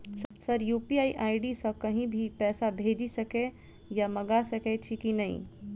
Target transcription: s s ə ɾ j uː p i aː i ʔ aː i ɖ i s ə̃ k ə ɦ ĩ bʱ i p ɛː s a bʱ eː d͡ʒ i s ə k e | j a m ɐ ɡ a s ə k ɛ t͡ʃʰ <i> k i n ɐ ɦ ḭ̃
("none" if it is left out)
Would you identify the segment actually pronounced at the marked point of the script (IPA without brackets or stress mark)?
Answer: i